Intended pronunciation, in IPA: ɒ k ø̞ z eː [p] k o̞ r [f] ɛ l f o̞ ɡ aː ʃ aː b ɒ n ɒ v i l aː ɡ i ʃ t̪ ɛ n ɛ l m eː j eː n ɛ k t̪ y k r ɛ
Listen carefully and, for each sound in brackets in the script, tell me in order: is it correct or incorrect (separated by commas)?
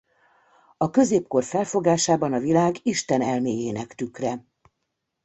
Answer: correct, correct